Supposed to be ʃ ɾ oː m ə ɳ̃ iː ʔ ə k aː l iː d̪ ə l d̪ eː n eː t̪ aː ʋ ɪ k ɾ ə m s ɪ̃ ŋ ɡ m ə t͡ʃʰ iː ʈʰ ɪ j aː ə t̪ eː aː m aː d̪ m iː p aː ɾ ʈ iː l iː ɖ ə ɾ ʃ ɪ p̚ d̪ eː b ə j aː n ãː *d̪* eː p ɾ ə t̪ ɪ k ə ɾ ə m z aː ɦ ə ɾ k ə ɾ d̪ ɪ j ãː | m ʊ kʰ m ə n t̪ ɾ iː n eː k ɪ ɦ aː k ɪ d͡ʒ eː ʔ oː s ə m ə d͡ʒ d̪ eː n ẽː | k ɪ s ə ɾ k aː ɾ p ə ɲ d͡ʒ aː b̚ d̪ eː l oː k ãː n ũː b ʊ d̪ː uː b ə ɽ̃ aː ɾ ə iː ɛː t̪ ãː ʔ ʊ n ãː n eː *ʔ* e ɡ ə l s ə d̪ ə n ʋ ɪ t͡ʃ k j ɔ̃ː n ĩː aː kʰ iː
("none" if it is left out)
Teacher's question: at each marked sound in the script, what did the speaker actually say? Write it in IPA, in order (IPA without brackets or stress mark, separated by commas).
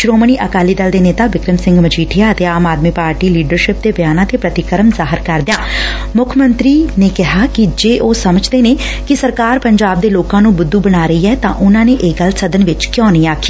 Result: t̪, ʔ